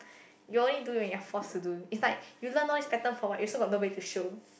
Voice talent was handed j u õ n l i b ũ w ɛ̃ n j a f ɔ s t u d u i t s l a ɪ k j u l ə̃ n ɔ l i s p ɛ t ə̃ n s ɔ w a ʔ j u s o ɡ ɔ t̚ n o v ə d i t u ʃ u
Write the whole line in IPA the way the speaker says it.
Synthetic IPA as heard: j u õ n l i d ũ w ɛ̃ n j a f ɔ s t u d u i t s l a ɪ k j u l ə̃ n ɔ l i s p ɛ t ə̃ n f ɔ w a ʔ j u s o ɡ ɔ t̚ n o b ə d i t u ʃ o